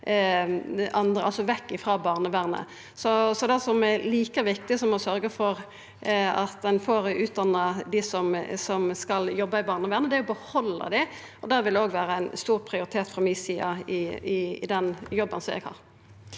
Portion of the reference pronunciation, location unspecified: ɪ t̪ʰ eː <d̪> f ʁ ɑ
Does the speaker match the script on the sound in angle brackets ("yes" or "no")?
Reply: no